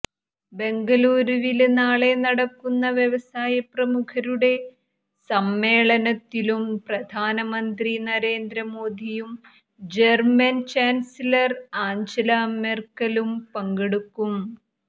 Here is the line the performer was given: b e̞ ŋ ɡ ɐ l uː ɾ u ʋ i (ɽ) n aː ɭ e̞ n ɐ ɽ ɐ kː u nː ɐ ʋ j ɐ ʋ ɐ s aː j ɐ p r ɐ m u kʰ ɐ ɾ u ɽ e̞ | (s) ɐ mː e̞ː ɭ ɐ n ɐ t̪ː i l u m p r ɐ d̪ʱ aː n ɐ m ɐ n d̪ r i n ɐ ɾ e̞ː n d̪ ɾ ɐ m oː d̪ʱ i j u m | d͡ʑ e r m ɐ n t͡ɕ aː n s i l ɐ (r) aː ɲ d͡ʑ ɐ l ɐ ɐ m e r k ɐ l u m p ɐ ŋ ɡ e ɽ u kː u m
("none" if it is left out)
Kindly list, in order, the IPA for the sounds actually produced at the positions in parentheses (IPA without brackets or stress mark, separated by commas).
l, s, r